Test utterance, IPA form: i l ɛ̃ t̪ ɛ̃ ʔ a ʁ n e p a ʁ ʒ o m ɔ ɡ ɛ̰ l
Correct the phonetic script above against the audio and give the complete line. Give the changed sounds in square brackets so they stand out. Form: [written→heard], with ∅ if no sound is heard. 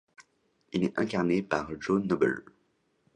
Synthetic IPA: i l [ɛ̃→ɛ] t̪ ɛ̃ [ʔ→k] a ʁ n e p a ʁ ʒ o [m→n] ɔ [ɡ→b] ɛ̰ l